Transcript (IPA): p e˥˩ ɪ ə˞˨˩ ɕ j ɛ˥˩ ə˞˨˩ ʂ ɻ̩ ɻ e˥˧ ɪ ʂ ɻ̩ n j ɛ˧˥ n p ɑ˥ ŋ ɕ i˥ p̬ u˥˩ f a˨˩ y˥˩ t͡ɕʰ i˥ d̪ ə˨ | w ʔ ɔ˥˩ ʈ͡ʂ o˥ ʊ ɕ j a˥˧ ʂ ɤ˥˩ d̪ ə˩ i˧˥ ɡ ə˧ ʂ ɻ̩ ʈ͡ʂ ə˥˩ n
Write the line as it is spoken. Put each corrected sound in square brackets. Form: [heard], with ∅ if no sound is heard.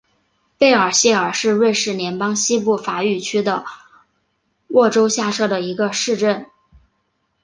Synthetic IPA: p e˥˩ ɪ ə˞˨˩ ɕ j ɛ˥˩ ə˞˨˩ ʂ ɻ̩ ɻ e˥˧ ɪ ʂ ɻ̩ n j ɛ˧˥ n p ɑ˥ ŋ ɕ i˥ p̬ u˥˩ f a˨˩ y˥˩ t͡ɕʰ [y˥] d̪ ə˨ | w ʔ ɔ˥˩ ʈ͡ʂ o˥ ʊ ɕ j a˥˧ ʂ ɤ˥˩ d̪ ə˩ i˧˥ ɡ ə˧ ʂ ɻ̩ ʈ͡ʂ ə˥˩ n